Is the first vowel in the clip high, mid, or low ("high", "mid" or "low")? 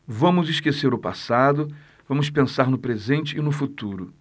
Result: low